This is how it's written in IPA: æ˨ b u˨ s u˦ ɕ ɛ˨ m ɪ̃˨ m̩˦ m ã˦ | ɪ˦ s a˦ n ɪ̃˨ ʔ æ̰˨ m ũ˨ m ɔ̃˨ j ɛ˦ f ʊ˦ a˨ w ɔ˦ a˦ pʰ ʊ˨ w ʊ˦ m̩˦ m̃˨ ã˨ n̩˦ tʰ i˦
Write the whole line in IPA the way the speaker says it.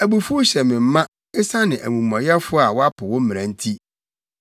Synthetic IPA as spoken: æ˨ b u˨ f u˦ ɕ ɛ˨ m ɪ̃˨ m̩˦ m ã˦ | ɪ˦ s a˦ n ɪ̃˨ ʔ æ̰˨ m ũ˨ m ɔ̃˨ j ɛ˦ f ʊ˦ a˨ w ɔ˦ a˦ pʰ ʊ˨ w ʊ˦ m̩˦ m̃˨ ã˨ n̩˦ tʰ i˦